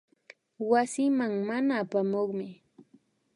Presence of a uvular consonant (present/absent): present